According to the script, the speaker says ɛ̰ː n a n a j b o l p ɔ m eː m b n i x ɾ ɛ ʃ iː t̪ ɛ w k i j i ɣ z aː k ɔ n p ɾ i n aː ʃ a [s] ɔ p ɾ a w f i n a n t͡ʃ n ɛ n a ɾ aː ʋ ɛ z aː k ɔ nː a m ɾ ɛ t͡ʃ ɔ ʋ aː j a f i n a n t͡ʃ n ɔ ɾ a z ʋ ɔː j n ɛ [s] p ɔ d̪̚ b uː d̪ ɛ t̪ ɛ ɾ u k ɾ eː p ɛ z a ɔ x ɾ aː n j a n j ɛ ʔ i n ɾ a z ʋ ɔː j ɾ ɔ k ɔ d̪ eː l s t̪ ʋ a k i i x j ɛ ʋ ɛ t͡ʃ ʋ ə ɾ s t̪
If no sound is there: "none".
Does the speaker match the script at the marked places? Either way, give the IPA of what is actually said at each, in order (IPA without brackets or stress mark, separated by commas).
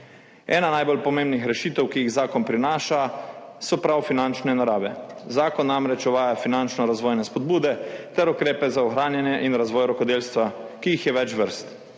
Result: s, s